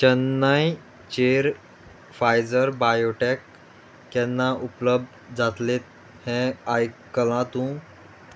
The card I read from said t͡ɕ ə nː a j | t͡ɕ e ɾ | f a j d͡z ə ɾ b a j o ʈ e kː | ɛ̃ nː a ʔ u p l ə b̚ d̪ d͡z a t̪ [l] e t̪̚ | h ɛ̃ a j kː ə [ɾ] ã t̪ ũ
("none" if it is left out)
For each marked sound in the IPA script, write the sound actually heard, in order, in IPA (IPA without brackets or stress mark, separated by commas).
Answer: l, l